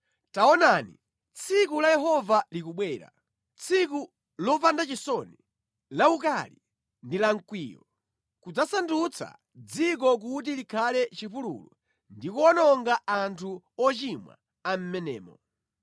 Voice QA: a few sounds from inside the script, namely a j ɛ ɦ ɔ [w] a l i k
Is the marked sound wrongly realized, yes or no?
yes